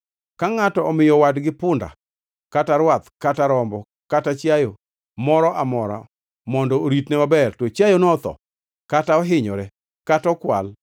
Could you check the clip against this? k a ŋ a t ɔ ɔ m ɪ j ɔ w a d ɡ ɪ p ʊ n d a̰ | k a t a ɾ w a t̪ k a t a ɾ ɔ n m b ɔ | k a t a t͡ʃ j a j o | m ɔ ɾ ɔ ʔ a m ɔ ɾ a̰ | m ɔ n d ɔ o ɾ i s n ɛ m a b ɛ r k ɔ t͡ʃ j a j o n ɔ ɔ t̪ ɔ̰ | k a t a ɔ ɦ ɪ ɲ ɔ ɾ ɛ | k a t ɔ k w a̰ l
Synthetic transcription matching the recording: k a ŋ a t ɔ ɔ m ɪ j ɔ w a d ɡ ɪ p ʊ n d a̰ | k a t a ɾ w a t̪ k a t a ɾ ɔ m b ɔ | k a t a t͡ʃ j a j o | m ɔ ɾ ɔ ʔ a m ɔ ɾ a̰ | m ɔ n d ɔ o ɾ i t n ɛ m a b ɛ r t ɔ t͡ʃ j a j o n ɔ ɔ t̪ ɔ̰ | k a t a ɔ ɦ ɪ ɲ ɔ ɾ ɛ | k a t ɔ k w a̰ l